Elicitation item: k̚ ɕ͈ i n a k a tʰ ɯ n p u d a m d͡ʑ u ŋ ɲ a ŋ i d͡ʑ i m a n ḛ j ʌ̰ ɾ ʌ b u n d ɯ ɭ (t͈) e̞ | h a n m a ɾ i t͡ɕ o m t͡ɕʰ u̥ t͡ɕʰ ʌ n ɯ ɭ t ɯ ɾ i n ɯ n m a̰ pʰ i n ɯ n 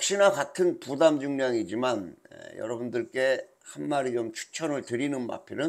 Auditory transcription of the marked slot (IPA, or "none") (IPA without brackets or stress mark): k͈